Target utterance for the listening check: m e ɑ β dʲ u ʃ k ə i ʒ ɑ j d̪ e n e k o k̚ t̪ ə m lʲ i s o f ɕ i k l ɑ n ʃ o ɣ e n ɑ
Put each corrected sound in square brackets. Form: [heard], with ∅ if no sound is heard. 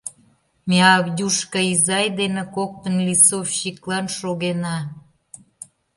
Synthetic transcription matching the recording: m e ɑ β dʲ u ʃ k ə i [z] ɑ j d̪ e n e k o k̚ t̪ ə [n] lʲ i s o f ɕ i k l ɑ n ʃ o ɣ e n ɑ